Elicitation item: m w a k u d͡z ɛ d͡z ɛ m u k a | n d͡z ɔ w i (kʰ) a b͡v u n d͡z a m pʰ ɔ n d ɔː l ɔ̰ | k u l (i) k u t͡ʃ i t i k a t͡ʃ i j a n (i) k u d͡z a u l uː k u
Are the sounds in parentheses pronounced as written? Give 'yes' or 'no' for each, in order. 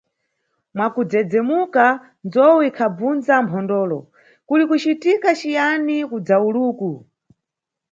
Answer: yes, yes, yes

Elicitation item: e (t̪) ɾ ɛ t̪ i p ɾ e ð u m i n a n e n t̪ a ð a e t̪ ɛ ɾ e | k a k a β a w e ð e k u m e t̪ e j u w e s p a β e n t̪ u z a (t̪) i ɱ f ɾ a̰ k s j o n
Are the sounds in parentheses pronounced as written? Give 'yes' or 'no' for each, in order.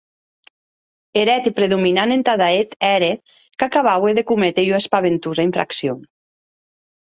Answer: no, no

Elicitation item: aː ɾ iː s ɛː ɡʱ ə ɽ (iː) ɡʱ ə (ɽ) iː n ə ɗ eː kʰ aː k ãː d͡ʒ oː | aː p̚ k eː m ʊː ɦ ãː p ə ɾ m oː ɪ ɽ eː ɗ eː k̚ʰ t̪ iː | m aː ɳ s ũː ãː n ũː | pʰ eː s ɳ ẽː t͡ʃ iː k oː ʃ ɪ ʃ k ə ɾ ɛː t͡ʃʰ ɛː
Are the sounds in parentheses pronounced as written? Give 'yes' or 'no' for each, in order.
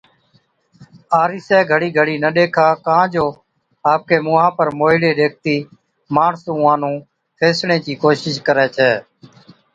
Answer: yes, yes

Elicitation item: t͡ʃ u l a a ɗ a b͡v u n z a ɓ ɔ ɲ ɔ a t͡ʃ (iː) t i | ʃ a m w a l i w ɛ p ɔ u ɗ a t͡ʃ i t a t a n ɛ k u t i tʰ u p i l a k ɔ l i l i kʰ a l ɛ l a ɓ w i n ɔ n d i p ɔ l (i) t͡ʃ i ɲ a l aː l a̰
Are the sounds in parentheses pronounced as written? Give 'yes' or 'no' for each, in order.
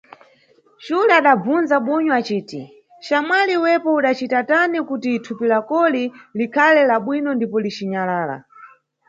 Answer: yes, yes

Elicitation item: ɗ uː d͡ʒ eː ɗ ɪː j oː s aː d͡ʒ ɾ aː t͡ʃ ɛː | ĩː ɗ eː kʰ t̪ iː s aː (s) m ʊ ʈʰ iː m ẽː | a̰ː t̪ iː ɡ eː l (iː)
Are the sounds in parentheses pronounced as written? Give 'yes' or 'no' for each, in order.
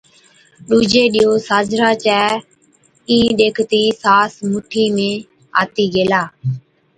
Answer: yes, no

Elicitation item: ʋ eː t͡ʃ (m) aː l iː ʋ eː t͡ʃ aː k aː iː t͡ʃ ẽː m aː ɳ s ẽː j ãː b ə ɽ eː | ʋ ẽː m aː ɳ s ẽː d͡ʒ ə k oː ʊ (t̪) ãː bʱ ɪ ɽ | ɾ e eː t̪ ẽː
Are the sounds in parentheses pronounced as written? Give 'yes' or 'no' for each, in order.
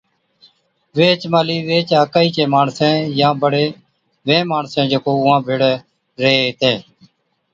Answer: yes, no

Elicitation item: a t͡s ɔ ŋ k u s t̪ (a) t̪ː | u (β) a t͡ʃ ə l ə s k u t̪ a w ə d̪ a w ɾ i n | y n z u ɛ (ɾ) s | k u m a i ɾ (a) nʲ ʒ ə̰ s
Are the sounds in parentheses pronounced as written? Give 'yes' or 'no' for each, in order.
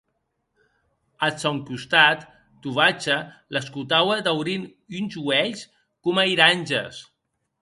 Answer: yes, yes, no, yes

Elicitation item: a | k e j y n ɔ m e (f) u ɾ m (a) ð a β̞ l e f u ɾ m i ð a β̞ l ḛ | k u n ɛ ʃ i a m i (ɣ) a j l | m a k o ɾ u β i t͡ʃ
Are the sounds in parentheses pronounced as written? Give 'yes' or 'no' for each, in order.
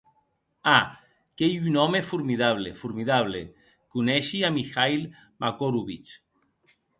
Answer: yes, no, no

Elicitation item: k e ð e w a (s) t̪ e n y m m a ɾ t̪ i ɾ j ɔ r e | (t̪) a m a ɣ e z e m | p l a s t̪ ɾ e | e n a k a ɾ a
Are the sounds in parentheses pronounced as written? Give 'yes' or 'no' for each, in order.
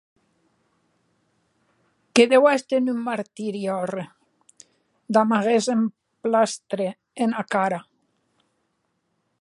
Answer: yes, no

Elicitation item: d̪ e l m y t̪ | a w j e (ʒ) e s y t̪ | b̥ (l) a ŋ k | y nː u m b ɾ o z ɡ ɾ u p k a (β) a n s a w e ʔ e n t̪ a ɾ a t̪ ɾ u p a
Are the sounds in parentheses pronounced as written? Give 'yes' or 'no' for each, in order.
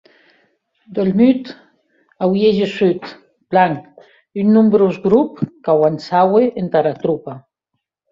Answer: yes, yes, no

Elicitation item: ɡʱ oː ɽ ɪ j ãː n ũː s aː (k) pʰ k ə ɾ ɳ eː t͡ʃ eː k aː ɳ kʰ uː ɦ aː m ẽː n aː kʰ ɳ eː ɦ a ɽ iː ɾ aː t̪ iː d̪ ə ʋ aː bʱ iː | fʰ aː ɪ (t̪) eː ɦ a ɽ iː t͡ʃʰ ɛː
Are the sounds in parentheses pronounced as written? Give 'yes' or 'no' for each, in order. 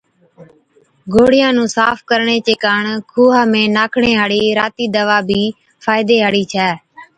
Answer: no, no

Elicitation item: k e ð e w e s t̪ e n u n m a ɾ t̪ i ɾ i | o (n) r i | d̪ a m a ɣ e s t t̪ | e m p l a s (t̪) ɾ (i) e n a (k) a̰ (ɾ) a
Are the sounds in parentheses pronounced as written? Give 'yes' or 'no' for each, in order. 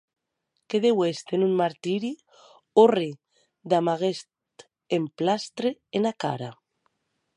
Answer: no, yes, no, yes, yes

